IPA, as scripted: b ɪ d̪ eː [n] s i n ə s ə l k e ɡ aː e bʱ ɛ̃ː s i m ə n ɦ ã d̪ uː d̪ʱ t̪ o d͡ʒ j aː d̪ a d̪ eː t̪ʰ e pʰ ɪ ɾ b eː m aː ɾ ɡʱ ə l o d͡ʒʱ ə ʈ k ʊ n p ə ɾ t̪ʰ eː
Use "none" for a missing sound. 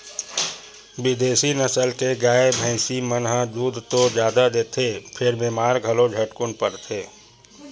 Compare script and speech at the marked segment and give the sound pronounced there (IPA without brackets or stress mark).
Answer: none